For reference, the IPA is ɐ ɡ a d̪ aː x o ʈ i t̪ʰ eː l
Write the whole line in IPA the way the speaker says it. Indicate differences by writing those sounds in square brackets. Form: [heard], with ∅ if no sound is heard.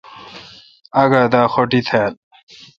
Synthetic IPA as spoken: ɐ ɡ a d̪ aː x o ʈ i t̪ʰ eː l